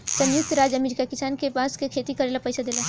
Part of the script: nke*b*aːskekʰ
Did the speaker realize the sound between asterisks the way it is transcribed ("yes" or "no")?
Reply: no